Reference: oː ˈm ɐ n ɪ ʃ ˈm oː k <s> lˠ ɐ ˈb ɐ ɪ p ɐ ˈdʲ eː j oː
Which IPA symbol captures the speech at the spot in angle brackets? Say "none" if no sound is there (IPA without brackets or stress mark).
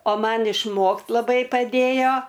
t